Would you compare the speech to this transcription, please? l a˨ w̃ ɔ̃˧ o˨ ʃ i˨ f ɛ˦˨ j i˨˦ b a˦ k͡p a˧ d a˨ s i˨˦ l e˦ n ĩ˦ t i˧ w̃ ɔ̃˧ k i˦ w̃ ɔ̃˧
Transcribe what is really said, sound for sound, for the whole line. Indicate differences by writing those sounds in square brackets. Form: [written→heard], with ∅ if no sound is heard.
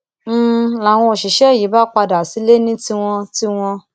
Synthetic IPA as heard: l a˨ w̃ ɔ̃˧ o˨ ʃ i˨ [f→ʃ] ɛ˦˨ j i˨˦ b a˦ k͡p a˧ d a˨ s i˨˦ l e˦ n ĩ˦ t i˧ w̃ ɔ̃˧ [k→t] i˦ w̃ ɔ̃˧

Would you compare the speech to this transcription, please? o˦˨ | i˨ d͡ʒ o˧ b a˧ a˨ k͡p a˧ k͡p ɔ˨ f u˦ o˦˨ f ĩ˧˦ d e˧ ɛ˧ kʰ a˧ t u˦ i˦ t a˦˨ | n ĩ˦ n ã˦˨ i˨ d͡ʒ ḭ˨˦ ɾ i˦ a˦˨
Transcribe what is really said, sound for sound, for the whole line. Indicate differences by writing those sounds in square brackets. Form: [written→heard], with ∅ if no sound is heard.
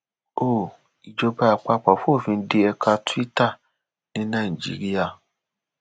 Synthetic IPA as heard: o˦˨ | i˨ d͡ʒ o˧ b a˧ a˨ k͡p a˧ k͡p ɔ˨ f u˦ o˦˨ f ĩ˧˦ d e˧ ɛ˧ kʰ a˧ t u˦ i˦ t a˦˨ | n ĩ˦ n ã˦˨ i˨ d͡ʒ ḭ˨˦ ɾ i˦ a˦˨

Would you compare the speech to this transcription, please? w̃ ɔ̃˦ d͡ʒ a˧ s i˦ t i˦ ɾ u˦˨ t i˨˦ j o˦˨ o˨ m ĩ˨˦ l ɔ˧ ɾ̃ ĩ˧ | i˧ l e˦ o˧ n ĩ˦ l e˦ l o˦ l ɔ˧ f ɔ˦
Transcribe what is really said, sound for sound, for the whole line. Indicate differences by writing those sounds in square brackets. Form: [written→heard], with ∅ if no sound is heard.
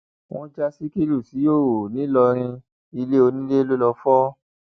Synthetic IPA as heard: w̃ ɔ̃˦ d͡ʒ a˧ s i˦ [t→k] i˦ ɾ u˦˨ [t→s] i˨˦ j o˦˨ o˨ [m→n] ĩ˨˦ l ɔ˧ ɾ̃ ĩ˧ | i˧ l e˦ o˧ n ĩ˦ l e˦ l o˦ l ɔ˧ f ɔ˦

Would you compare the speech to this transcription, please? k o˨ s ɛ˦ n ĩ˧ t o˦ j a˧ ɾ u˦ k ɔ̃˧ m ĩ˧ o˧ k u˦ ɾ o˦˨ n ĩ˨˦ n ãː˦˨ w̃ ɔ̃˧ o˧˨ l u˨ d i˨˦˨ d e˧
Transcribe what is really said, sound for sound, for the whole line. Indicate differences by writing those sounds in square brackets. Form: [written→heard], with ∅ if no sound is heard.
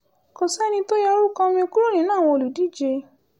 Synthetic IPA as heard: k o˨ s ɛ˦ n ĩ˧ t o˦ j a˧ ɾ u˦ k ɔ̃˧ m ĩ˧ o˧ k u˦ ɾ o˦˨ n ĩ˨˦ n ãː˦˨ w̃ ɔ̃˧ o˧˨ l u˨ d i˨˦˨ [d→d͡ʒ] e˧

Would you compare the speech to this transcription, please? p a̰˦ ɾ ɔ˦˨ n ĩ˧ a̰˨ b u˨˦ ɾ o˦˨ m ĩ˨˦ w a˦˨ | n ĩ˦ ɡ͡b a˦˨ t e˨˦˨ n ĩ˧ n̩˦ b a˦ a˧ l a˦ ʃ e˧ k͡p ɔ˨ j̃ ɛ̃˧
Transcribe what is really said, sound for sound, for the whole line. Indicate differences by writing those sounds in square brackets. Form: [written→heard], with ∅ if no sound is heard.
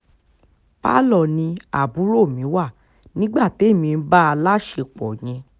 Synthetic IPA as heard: p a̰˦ [ɾ→l] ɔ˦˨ n ĩ˧ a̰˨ b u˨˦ ɾ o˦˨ m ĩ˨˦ w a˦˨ | n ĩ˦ ɡ͡b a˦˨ t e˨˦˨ [n→m] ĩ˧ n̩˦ b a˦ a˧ l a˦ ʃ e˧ k͡p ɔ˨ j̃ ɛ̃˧

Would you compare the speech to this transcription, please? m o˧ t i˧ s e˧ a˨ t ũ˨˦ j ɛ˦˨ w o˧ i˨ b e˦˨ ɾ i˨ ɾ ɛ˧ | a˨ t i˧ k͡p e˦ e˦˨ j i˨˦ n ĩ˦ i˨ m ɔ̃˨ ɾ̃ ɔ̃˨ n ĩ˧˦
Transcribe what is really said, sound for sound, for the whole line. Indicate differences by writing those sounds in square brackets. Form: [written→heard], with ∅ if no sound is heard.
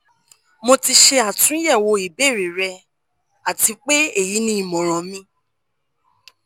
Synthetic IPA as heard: m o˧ t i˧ [s→ʃ] e˧ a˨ t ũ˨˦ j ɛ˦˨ w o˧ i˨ b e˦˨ ɾ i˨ ɾ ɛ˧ | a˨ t i˧ k͡p e˦ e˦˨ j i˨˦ n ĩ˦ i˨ m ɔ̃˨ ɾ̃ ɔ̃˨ [n→m] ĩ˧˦

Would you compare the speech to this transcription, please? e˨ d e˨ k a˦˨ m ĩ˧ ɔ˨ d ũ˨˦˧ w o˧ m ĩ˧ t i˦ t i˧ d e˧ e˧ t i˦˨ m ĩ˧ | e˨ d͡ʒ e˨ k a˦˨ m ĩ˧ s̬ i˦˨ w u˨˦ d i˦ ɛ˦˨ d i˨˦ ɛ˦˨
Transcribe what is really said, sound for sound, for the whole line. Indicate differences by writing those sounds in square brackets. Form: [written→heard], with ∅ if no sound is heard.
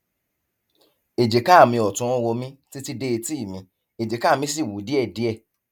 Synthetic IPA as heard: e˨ [d→d͡ʒ] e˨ k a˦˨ m ĩ˧ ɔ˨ [d→t] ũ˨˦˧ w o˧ m ĩ˧ t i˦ t i˧ d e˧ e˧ t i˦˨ m ĩ˧ | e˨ d͡ʒ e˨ k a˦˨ m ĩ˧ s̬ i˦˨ w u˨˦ d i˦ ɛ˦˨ d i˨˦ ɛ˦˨

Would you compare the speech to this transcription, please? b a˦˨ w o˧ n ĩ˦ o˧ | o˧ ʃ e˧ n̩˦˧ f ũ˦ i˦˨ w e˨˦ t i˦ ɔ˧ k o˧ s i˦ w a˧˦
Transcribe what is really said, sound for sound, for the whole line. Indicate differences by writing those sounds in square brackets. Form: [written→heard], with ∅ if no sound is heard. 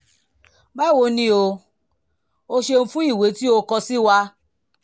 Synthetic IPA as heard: b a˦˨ w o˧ n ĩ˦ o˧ | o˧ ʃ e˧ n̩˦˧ f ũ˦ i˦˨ w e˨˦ t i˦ [ɔ˧→o˧] k [o˧→ɔ˧] s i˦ w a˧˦

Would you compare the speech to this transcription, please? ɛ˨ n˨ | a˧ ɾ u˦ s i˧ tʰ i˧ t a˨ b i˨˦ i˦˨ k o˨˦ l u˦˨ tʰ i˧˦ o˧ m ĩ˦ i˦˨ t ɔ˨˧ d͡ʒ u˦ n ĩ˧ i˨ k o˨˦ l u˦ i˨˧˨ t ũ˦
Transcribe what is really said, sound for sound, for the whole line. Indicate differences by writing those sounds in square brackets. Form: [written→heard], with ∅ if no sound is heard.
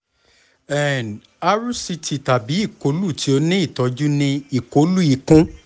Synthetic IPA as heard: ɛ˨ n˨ | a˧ ɾ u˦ s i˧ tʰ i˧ t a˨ b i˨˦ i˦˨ k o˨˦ l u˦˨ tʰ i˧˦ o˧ [m→n] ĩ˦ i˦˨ t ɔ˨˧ d͡ʒ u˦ n ĩ˧ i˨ k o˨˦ l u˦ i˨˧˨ [t→k] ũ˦

